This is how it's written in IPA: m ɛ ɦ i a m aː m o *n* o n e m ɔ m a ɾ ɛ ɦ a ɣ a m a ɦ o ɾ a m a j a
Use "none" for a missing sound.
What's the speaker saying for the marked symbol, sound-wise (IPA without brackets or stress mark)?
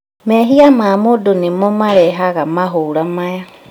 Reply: d